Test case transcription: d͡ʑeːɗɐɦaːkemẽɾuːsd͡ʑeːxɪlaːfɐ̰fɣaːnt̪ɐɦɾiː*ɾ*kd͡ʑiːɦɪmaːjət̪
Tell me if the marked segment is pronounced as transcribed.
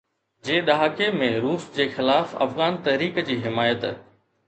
no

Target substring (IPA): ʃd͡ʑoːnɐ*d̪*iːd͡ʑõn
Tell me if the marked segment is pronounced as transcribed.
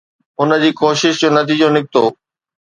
no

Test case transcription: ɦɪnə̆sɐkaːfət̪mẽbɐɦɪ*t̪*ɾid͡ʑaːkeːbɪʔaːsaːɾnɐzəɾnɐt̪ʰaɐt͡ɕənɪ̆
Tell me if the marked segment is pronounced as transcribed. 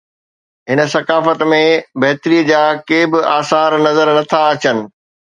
yes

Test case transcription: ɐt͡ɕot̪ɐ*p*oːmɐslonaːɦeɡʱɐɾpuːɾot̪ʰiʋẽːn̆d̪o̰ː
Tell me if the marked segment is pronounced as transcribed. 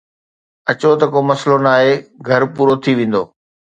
no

